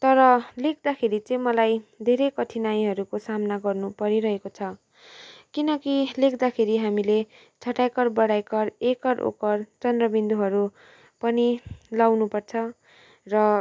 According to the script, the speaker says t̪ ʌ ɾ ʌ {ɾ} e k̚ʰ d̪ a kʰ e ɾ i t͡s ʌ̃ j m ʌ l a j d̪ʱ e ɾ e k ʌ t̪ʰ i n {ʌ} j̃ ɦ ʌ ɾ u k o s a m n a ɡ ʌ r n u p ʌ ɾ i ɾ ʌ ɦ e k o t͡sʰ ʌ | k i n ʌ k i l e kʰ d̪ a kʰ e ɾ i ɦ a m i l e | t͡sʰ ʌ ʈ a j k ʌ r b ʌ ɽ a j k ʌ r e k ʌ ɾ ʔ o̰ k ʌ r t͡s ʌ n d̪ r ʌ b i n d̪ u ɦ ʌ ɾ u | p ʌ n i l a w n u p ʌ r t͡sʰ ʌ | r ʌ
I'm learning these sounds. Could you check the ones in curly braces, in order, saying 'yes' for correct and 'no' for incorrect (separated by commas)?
no, no